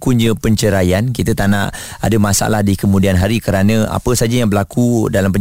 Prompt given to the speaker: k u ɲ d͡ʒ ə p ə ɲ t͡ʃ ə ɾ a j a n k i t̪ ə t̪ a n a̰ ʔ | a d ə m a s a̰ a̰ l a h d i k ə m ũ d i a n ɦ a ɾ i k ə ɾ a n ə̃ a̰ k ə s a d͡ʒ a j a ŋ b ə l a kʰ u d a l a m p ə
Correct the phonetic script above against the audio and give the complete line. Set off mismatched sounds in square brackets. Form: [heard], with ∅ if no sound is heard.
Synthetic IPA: k u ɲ d͡ʒ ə p ə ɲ t͡ʃ ə ɾ a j a n k i t̪ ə t̪ a n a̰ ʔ | a d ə m a s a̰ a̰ l a h d i k ə m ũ d i a n ɦ a ɾ i k ə ɾ a n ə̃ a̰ [p] ə s a d͡ʒ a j a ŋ b ə l a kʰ u d a l a m p ə